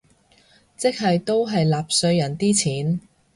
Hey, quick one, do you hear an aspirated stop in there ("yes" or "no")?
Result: yes